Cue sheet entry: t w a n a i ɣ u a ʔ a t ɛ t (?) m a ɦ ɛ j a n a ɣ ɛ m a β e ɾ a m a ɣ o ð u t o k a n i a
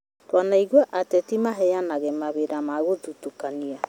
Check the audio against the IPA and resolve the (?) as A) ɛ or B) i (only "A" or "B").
B